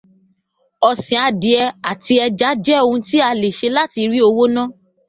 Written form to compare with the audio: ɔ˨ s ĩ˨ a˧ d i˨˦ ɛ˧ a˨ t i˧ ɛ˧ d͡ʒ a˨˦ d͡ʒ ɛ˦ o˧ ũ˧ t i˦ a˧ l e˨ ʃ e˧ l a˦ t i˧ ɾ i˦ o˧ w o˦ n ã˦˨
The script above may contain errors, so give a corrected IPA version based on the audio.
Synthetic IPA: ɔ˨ s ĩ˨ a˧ d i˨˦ ɛ˧ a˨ t i˧ ɛ˧ d͡ʒ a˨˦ d͡ʒ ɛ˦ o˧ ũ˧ t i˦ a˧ l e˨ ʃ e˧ l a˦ t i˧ ɾ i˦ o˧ w o˦ n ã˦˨